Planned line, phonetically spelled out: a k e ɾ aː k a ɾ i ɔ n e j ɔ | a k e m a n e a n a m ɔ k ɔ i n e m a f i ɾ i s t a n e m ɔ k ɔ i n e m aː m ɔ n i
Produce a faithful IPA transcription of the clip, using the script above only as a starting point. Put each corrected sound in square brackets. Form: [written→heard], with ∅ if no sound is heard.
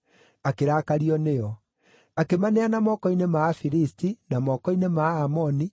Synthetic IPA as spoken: a k e ɾ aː k a ɾ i ɔ n e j ɔ | a k e m a n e a n a m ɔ k ɔ i n e m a f i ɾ i s t [a→i] n [e→a] m ɔ k ɔ i n e m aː m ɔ n i